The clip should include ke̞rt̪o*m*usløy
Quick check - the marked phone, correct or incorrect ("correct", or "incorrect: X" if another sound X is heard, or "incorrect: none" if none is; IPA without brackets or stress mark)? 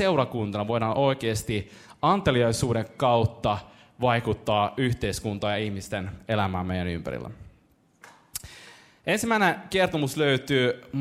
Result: correct